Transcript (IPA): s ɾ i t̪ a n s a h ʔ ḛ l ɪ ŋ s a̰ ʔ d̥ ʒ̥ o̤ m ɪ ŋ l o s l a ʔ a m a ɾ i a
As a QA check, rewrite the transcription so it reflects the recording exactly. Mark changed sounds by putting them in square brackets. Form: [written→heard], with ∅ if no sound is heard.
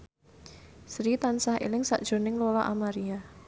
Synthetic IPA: s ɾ i t̪ a n s a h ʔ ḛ l ɪ ŋ s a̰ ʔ d̥ ʒ̥ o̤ [m→n] ɪ ŋ l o [s→∅] l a ʔ a m a ɾ i a